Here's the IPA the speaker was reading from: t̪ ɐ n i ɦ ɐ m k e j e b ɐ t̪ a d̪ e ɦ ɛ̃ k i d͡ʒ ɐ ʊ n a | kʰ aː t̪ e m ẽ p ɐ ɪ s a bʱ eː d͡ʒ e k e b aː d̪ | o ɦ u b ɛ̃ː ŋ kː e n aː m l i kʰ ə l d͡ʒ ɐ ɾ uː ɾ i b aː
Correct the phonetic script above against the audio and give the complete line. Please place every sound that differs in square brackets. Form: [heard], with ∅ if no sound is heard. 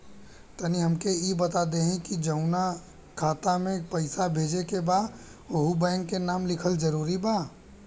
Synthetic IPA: t̪ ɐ n i ɦ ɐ m k e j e b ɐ t̪ a d̪ e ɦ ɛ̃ k i d͡ʒ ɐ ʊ n a | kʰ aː t̪ [a] m ẽ p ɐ ɪ s a bʱ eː d͡ʒ e k e b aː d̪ | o ɦ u b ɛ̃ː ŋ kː e n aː m l [ɪ] kʰ ə l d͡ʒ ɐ ɾ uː ɾ i b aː

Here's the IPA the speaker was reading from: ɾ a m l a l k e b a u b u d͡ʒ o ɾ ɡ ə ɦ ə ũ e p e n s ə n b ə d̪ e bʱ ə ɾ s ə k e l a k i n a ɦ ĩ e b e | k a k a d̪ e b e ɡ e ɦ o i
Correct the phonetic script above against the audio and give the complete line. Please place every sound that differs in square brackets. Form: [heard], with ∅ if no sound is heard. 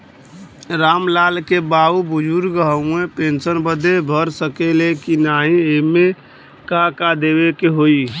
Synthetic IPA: ɾ a m l a l k e b a u b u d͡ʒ [u] ɾ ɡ ə ɦ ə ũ e p e n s ə n b ə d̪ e bʱ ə ɾ s ə k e l [e] k i n a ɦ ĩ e [m] e | k a k a d̪ e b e [k] e ɦ o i

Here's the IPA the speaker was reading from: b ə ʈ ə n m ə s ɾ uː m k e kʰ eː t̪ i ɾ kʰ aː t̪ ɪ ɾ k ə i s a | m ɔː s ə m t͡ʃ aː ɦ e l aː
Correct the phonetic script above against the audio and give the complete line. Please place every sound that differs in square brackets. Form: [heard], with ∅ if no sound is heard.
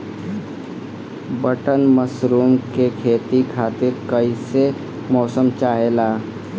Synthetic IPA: b ə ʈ ə n m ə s ɾ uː m k e kʰ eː t̪ i [∅] kʰ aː t̪ ɪ ɾ k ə i s [e] | m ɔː s ə m t͡ʃ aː ɦ e l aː

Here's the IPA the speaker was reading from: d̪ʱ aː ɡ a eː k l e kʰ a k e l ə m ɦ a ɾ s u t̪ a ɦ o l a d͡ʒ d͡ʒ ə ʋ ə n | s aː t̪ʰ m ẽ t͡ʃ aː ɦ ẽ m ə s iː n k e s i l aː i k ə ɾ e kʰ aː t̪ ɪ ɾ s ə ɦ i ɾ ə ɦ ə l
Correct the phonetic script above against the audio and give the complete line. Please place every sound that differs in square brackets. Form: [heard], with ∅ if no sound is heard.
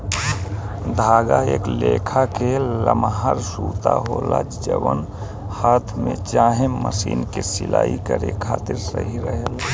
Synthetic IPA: d̪ʱ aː ɡ a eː k l e kʰ a k e l ə m ɦ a ɾ s u t̪ a ɦ o l a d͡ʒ d͡ʒ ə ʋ ə n | [h] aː t̪ʰ m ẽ t͡ʃ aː ɦ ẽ m ə s iː n k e s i l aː i k ə ɾ e kʰ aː t̪ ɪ ɾ s ə ɦ i ɾ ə ɦ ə l

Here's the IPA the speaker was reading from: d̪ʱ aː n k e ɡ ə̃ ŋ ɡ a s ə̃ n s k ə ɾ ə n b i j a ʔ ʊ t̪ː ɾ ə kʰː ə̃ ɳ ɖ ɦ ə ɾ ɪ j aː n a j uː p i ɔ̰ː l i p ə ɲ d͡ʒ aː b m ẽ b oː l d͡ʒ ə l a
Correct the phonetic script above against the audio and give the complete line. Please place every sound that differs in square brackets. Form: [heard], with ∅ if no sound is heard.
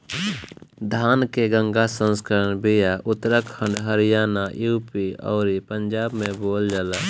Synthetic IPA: d̪ʱ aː n k e ɡ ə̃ ŋ ɡ a s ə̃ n s k ə ɾ ə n b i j a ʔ ʊ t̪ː ɾ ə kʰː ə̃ ɳ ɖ ɦ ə ɾ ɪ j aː n a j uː p i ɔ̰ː [ɾ] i p ə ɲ d͡ʒ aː b m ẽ b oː l d͡ʒ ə l a

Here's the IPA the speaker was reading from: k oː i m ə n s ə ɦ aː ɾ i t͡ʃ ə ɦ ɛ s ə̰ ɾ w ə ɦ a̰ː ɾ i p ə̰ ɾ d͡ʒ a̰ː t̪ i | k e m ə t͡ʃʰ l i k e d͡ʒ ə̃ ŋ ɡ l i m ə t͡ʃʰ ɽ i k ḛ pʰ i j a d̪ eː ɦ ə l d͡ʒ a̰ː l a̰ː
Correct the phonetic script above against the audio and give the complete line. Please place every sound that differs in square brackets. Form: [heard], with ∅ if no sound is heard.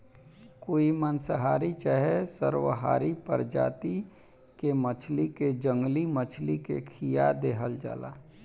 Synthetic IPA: k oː i m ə n s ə ɦ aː ɾ i t͡ʃ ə ɦ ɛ s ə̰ ɾ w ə ɦ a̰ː ɾ i p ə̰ ɾ d͡ʒ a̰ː t̪ i | k e m ə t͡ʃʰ l i k e d͡ʒ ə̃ ŋ ɡ l i m ə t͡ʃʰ [l] i k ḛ [kʰ] i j a d̪ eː ɦ ə l d͡ʒ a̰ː l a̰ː

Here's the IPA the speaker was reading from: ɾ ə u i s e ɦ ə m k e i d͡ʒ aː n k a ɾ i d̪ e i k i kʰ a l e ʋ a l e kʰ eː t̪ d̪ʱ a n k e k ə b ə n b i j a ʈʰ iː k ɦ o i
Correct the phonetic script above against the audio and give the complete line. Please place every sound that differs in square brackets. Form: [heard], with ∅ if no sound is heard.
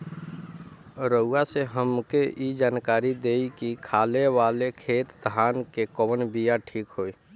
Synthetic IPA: ɾ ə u [a] s e ɦ ə m k e i d͡ʒ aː n k a ɾ i d̪ e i k i kʰ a l e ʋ a l e kʰ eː t̪ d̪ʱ a n k e k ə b ə n b i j a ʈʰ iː k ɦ o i

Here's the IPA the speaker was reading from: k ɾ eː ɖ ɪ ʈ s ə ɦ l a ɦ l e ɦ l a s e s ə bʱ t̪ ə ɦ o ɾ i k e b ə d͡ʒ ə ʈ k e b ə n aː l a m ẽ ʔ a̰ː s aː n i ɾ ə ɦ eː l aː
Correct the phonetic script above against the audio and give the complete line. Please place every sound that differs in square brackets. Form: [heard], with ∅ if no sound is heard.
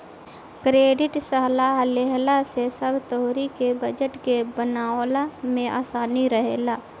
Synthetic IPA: k ɾ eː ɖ ɪ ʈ s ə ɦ l a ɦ l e ɦ l a s e s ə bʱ t̪ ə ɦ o ɾ i k e b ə d͡ʒ ə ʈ k e b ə n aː l a m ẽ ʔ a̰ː s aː n i ɾ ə ɦ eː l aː

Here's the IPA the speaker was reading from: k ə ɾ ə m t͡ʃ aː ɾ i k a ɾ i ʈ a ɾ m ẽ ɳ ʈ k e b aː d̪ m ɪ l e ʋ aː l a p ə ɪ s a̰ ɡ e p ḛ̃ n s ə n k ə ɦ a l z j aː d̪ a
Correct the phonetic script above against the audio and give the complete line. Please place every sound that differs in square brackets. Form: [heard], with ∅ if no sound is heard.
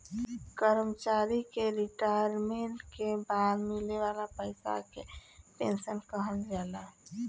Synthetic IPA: k ə ɾ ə m t͡ʃ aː ɾ i k [e] ɾ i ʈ a ɾ m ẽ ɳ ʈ k e b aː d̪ m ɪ l e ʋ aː l a p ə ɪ s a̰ [k] e p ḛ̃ n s ə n k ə ɦ [ə] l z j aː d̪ a

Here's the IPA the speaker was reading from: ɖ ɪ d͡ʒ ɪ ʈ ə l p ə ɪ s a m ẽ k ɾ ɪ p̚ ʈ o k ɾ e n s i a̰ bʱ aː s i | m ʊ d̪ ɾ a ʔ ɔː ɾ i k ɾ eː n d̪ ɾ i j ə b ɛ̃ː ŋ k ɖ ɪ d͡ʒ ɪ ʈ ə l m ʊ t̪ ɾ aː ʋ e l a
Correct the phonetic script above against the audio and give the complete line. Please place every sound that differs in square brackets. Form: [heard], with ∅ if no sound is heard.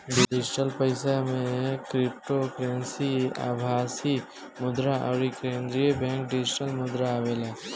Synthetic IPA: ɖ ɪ d͡ʒ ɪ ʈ ə l p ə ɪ s a m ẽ k ɾ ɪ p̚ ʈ o k ɾ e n s i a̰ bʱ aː s i | m ʊ d̪ ɾ a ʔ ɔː ɾ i k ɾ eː n d̪ ɾ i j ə b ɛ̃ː ŋ k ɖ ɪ d͡ʒ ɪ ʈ ə l m ʊ [d̪] ɾ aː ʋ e l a

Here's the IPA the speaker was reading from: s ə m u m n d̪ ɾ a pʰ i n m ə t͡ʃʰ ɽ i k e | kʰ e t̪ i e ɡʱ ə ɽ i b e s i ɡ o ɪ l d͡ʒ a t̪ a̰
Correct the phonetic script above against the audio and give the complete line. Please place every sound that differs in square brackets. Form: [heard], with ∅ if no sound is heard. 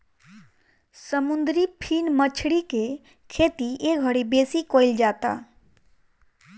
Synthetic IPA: s ə m u [∅] n d̪ ɾ [i] pʰ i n m ə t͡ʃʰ ɽ i k e | kʰ e t̪ i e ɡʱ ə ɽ i b e s i [k] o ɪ l d͡ʒ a t̪ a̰

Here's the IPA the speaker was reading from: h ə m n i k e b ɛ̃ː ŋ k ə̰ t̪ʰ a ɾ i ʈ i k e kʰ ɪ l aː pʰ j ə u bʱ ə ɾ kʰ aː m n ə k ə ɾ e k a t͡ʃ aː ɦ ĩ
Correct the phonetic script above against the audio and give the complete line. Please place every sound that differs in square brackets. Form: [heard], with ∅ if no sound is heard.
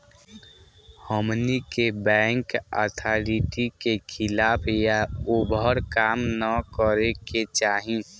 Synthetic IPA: h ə m n i k e b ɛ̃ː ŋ k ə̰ t̪ʰ a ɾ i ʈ i k e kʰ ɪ l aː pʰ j [a] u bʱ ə ɾ [k] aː m n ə k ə ɾ e k [e] t͡ʃ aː ɦ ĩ

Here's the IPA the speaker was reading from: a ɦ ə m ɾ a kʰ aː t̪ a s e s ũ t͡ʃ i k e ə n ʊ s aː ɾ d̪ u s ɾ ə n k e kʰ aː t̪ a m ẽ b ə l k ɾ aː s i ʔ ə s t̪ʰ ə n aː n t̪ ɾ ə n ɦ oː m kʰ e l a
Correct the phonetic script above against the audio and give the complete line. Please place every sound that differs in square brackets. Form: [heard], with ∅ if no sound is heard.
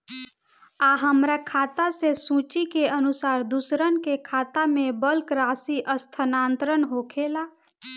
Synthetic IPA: a ɦ ə m ɾ a kʰ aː t̪ a s e s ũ t͡ʃ i k e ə n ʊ s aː ɾ d̪ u s ɾ ə n k e kʰ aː t̪ a m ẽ b ə l k ɾ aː s i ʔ ə s t̪ʰ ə n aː n t̪ ɾ ə n ɦ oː [∅] kʰ e l a

